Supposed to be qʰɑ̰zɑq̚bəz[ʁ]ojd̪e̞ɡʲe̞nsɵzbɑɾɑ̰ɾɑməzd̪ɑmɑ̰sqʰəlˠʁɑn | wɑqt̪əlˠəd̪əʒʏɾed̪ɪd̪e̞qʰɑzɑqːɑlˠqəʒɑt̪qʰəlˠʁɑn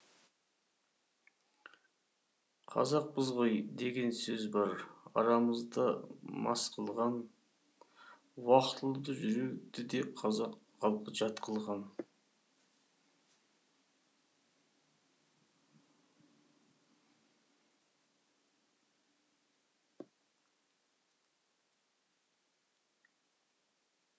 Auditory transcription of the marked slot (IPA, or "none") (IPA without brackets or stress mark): ʁ